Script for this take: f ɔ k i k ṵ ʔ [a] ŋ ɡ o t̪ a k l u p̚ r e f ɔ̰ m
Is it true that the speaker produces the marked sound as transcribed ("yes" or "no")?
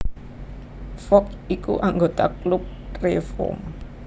yes